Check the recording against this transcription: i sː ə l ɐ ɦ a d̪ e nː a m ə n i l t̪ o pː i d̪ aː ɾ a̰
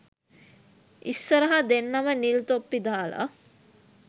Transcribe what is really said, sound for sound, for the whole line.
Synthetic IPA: i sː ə ɾ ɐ ɦ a d̪ e nː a m ə n i l t̪ o pː i d̪ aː l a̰